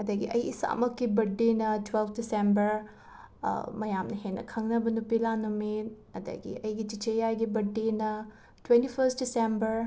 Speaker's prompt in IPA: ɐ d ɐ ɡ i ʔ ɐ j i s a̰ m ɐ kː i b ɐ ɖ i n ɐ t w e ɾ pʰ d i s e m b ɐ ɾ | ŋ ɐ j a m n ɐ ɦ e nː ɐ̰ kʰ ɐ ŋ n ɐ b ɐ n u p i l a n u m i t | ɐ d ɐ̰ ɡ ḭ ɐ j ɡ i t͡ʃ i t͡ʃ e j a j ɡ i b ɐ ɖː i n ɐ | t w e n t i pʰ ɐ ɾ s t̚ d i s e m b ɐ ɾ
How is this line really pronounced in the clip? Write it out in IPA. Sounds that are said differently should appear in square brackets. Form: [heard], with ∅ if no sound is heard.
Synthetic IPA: ɐ d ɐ ɡ i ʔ ɐ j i s a̰ m ɐ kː i b ɐ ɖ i n ɐ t w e [l] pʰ d i s e m b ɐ ɾ | [m] ɐ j a m n ɐ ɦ e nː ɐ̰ kʰ ɐ ŋ n ɐ b ɐ n u p i l a n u m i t | ɐ d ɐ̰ ɡ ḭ ɐ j ɡ i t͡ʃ i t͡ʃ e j a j ɡ i b ɐ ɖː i n ɐ | t w e n t i pʰ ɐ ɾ s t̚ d i s e m b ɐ ɾ